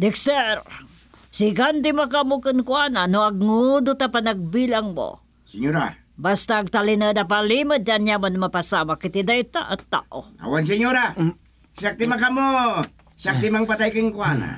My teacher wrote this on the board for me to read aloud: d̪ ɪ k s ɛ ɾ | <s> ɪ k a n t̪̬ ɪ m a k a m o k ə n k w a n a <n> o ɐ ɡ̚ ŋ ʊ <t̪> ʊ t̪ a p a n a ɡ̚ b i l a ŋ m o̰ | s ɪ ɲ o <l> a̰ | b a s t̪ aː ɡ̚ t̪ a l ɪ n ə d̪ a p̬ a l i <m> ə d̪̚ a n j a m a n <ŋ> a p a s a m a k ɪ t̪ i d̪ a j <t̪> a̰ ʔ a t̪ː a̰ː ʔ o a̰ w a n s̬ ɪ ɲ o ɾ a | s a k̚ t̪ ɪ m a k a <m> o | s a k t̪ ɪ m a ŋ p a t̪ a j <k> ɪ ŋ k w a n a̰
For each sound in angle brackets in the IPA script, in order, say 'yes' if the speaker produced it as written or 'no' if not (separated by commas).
yes, yes, no, no, yes, no, yes, yes, yes